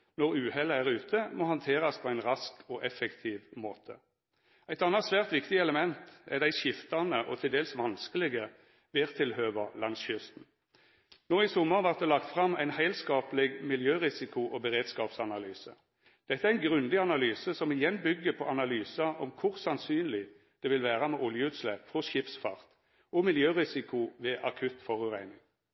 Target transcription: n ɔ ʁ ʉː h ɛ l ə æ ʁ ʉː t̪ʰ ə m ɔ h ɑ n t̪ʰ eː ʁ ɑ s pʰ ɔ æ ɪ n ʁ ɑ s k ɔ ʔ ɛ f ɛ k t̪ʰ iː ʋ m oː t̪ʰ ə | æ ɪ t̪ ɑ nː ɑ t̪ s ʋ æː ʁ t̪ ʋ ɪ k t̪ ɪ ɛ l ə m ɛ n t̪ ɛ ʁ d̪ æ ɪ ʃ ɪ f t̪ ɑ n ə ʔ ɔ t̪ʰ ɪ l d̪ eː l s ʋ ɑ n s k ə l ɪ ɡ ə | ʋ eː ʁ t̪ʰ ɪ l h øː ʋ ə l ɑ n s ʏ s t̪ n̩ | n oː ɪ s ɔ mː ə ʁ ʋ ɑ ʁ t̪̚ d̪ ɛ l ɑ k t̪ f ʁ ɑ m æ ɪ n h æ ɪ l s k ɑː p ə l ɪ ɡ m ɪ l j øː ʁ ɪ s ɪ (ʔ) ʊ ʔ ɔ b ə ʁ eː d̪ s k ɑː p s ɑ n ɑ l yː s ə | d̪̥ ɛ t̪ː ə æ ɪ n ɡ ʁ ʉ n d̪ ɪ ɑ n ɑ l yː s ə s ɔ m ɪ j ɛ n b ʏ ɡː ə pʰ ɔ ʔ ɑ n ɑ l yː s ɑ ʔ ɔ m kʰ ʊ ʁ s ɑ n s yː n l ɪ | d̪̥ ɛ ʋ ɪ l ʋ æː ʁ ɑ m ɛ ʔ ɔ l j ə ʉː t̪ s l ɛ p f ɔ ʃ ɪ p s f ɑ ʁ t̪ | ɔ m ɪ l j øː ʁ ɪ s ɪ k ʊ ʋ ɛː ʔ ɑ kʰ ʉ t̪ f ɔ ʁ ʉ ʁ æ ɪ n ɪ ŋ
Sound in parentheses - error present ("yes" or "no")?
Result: yes